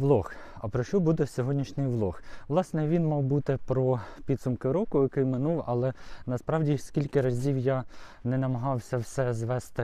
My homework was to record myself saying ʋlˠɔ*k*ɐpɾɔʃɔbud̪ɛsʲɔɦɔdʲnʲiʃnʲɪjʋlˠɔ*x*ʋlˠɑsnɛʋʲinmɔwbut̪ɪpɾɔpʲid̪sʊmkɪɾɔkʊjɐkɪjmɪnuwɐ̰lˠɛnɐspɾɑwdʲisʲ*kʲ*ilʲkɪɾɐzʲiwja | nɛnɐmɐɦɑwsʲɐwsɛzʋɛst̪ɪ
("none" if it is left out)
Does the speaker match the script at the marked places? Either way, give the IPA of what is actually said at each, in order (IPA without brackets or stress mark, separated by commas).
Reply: x, x, kʲ